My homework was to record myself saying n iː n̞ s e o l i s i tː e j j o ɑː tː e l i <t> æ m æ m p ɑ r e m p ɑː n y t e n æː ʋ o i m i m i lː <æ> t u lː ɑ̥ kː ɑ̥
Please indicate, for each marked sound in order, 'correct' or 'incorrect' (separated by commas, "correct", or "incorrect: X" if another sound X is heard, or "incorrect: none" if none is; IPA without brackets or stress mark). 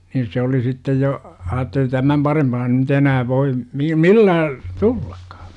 correct, incorrect: æː